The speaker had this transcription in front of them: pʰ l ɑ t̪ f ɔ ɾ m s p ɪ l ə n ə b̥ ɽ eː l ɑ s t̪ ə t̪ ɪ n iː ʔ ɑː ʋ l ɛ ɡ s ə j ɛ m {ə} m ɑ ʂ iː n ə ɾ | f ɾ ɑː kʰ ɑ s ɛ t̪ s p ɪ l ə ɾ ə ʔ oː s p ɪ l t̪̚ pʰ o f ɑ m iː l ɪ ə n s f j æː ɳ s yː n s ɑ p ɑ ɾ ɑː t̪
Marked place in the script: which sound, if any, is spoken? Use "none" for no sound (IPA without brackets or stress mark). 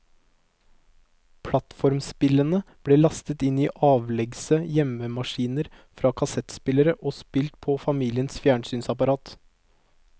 ə